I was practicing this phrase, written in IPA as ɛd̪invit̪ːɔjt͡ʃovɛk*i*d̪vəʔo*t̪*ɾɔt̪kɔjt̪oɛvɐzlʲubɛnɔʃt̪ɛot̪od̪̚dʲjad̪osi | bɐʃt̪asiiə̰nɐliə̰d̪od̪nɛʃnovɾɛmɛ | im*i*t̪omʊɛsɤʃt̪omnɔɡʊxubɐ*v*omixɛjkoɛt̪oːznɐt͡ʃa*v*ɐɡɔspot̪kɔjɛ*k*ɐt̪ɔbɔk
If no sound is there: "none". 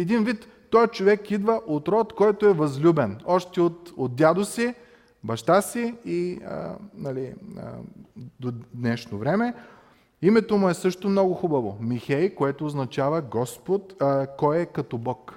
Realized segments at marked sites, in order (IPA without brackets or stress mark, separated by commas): i, t̪, ɛ, v, v, k